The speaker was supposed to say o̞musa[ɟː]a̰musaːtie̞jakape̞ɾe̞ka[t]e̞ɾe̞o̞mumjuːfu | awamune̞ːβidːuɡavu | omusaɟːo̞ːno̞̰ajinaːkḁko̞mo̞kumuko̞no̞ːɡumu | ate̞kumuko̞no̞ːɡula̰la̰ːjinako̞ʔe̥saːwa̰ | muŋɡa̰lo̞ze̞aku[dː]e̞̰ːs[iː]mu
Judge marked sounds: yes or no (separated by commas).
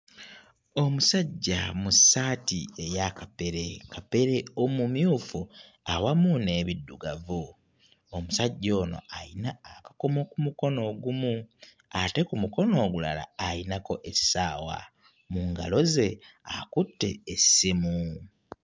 yes, no, no, no